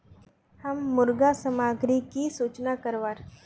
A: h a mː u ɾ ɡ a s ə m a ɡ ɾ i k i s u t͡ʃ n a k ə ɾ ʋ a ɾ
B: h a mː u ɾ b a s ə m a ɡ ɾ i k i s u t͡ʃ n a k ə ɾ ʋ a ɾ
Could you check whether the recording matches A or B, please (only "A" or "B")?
A